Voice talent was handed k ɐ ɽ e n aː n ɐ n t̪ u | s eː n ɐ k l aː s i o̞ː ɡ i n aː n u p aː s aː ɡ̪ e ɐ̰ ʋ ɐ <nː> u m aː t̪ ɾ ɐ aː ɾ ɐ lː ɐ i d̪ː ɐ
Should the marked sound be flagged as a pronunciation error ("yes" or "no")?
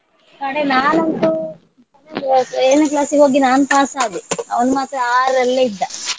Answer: yes